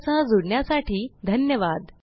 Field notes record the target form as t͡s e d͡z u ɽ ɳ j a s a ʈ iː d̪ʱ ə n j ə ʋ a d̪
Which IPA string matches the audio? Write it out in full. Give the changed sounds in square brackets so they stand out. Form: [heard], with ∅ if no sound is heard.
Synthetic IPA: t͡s [a] d͡z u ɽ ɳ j a s a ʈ iː d̪ʱ ə n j ə ʋ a d̪